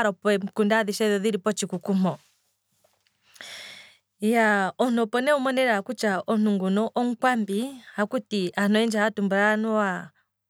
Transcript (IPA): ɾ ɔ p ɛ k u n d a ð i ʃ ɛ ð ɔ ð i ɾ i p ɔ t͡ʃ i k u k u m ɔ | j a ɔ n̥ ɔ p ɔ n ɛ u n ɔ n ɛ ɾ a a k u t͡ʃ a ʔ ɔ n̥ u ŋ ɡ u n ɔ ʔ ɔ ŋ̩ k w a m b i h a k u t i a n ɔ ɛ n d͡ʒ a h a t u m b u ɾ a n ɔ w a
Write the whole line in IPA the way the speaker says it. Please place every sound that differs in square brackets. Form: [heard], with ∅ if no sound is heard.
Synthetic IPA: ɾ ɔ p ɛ k u n d a ð i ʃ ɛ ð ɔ ð i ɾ i p ɔ t͡ʃ i k u k u m ɔ | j a ɔ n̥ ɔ p ɔ n ɛ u [m] ɔ n ɛ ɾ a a k u t͡ʃ a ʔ ɔ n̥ u ŋ ɡ u n ɔ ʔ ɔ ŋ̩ k w a m b i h a k u t i a n ɔ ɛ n d͡ʒ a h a t u m b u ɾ a n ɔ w a

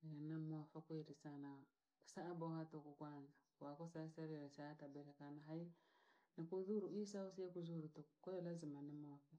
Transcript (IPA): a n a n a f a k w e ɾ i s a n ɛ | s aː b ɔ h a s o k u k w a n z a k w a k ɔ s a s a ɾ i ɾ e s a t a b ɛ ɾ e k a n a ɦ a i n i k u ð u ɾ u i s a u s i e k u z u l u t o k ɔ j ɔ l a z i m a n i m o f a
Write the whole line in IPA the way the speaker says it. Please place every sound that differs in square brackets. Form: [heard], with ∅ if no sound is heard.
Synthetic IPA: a n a [m] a f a k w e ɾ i s a n [a] | s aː b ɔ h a [t] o k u k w a n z a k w a k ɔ s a s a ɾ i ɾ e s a t a b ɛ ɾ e k a n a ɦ a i n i k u ð u ɾ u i s a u s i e k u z u [ɾ] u t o k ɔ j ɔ l a z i m a n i m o f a

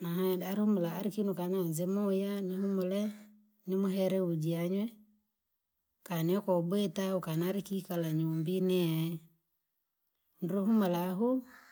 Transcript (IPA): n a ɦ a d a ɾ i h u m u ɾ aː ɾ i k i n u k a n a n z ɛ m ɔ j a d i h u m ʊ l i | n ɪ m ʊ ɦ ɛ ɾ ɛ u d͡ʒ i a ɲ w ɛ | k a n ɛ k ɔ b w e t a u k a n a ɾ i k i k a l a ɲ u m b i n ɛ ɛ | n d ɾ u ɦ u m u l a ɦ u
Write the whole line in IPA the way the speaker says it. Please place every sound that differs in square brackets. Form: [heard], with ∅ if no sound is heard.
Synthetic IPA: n a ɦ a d a ɾ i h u m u [l] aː ɾ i k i n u k a n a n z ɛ m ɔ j a [n] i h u m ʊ l [ɛ] | n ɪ m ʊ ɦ ɛ ɾ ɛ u d͡ʒ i a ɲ w ɛ | k a n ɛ k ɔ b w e t a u k a n a ɾ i k i k a l a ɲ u m b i n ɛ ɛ | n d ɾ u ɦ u m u l a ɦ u

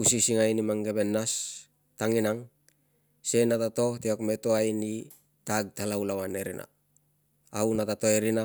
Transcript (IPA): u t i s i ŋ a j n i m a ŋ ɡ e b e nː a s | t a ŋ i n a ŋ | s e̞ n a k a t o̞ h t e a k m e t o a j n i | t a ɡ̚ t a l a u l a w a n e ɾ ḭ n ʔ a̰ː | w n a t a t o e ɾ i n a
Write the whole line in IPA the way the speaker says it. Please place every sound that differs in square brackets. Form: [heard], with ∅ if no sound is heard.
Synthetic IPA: u [s] i s i ŋ a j n i m a ŋ ɡ e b e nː a s | t a ŋ i n a ŋ | s e̞ n a [t] a t o̞ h t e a k m e t o a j n i | t a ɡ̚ t a l a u l a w a n e ɾ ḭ n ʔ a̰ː | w n a t a t o e ɾ i n a

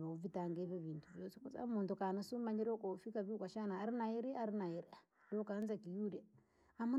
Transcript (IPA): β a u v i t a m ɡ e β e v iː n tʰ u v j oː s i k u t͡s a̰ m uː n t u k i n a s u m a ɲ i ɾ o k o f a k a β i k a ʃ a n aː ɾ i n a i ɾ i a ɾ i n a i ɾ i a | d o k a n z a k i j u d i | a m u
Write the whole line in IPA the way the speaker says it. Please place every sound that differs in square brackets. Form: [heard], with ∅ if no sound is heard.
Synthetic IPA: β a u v i t a [ŋ] ɡ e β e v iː n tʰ u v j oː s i k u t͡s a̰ m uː n t u k [a] n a s u m a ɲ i ɾ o k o f [i] k a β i k a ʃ a n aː ɾ i n a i ɾ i a ɾ i n a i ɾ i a | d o k a n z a k i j u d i | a m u

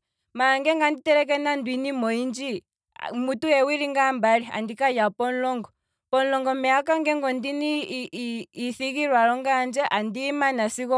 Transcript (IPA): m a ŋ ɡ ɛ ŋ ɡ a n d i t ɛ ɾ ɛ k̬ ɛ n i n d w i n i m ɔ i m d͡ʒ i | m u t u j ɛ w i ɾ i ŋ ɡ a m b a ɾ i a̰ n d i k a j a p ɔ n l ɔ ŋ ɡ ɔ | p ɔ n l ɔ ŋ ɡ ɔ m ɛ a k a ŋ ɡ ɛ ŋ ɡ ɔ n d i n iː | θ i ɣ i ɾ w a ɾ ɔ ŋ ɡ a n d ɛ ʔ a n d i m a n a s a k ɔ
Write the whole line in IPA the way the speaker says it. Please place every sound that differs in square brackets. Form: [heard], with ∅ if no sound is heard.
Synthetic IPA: m a ŋ ɡ ɛ ŋ ɡ a n d i t ɛ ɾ ɛ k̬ ɛ n [a] n d w i n i m ɔ i [n] d͡ʒ i | m u t u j ɛ w i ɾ i ŋ ɡ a m b a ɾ i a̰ n d i k a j a p ɔ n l ɔ ŋ ɡ ɔ | p ɔ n l ɔ ŋ ɡ ɔ m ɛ a k a ŋ ɡ ɛ ŋ ɡ ɔ n d i n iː | θ i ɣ i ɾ w a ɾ ɔ ŋ ɡ a n [d͡ʒ] ɛ ʔ a n d i m a n a s [i] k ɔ

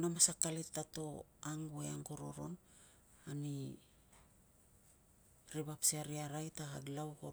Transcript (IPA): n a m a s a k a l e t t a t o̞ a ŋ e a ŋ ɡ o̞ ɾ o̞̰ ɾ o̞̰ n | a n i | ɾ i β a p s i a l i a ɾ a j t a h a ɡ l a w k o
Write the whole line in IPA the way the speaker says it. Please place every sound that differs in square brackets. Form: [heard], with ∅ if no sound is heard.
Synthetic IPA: n a m a s a k a l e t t a t o̞ a ŋ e a ŋ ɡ o̞ ɾ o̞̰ ɾ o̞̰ n | a n i | ɾ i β a p s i a [ɾ] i a ɾ a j t a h a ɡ l a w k o

